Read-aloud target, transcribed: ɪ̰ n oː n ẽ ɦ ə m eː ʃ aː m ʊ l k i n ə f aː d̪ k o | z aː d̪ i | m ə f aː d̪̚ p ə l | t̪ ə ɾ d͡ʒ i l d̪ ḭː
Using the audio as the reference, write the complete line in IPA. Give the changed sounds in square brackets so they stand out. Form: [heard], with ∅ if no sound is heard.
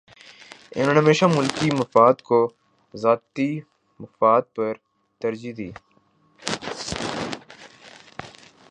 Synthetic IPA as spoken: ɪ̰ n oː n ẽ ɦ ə m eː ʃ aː m ʊ l k i [m] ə f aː d̪ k o | z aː [t̪] i | m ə f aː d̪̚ p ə [ɾ] | t̪ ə ɾ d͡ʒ i [∅] d̪ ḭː